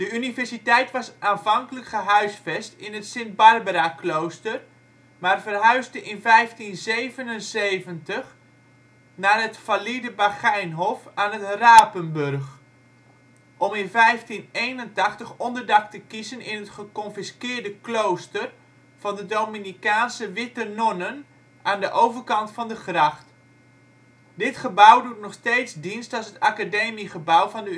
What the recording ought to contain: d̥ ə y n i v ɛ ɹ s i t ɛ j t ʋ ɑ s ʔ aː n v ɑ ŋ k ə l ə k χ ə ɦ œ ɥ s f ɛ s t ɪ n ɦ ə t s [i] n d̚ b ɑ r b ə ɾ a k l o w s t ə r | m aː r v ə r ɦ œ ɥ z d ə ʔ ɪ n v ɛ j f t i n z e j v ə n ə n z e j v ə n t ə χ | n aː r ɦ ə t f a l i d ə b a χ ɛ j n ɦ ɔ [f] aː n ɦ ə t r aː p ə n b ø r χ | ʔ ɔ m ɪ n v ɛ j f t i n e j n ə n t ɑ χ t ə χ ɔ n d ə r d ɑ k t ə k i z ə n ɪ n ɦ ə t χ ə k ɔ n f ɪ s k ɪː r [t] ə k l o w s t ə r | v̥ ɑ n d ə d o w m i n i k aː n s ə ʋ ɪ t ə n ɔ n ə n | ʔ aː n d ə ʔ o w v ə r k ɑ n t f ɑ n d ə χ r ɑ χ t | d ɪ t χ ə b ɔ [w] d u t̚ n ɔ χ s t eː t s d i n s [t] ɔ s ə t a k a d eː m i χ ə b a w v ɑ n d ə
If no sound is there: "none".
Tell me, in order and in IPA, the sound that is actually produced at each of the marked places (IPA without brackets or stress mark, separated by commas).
ɪ, f, d, w, t